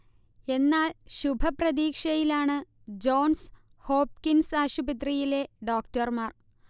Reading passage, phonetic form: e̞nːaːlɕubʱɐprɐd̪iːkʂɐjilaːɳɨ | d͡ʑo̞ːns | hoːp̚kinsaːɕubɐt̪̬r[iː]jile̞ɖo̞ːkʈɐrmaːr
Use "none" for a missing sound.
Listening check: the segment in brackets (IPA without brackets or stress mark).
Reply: i